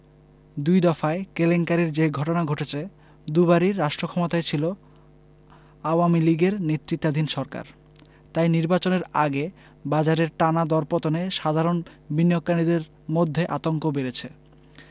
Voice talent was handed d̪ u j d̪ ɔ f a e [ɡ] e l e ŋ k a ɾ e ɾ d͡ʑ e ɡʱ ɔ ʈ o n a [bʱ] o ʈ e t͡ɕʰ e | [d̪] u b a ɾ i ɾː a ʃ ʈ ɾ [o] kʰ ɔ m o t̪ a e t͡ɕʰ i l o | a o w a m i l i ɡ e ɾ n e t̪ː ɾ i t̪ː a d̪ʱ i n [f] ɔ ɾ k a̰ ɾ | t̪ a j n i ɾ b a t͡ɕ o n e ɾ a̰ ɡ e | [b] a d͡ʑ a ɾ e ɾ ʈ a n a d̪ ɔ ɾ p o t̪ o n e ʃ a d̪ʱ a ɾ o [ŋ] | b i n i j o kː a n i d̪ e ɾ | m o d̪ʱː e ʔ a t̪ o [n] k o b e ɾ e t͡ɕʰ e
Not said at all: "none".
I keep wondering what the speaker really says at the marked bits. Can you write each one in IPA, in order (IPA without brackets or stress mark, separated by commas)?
k, ɡʱ, d̪, o, ʃ, b, n, ŋ